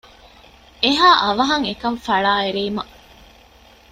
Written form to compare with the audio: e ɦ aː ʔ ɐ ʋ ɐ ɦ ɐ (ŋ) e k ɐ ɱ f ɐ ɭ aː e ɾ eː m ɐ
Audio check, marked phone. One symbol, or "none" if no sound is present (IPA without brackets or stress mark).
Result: ŋ